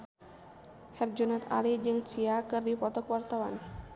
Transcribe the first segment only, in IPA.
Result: h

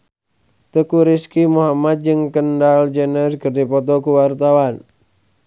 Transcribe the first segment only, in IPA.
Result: t̪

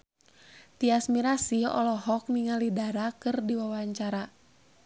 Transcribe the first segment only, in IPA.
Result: t̪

